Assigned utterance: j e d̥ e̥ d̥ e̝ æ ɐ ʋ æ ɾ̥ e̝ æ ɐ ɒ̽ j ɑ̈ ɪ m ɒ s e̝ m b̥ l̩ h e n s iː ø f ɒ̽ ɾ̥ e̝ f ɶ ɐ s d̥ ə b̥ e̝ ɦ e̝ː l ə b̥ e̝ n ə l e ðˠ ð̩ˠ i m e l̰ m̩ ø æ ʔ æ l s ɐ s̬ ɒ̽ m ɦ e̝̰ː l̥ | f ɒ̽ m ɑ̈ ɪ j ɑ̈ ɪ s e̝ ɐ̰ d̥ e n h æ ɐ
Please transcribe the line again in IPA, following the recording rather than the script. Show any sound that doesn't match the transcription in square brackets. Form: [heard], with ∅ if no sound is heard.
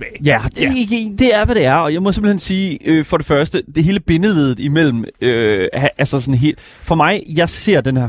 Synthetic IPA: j [æ] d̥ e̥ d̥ e̝ æ ɐ ʋ æ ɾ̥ e̝ æ ɐ ɒ̽ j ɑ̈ ɪ m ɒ s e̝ m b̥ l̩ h e n s iː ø f ɒ̽ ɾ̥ e̝ f ɶ ɐ s d̥ ə [d̥] e̝ ɦ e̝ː l ə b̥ e̝ n ə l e ðˠ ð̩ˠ i m e l̰ m̩ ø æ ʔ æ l s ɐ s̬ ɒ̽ [n] ɦ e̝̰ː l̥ | f ɒ̽ m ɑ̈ ɪ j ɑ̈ ɪ s e̝ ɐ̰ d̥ e n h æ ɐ